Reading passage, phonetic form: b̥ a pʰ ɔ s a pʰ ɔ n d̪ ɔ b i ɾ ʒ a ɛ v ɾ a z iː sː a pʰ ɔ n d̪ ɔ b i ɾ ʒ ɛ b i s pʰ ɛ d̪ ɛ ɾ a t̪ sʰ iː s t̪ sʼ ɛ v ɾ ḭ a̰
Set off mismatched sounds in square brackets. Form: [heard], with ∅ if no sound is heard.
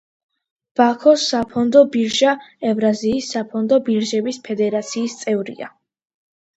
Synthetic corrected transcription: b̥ a [kʰ] ɔ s a pʰ ɔ n d̪ ɔ b i ɾ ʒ a ɛ v ɾ a z iː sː a pʰ ɔ n d̪ ɔ b i ɾ ʒ ɛ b i s pʰ ɛ d̪ ɛ ɾ a t̪ sʰ iː s t̪ sʼ ɛ v ɾ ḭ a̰